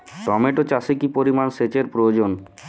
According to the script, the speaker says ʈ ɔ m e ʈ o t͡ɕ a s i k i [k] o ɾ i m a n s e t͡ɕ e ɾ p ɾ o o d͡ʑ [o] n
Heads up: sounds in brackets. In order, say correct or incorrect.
incorrect: p, correct

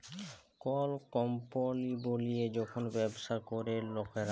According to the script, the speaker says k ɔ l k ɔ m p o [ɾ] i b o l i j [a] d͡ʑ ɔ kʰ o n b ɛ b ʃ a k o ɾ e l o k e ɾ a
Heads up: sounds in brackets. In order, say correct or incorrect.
incorrect: l, incorrect: e

